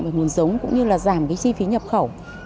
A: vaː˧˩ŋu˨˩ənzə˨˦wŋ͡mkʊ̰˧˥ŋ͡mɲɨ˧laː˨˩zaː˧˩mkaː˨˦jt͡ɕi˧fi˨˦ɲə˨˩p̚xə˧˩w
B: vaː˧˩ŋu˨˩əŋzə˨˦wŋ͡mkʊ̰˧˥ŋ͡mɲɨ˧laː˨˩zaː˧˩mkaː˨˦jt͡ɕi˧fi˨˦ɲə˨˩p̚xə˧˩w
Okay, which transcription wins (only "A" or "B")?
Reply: A